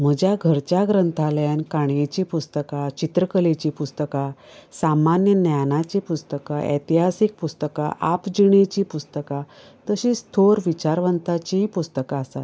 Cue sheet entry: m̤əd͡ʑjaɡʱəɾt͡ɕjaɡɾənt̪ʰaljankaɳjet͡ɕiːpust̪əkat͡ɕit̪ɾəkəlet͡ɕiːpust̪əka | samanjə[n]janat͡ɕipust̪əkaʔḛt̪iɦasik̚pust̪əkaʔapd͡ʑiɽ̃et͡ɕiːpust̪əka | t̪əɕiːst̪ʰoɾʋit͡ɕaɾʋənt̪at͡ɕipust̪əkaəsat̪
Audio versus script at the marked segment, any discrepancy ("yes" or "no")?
no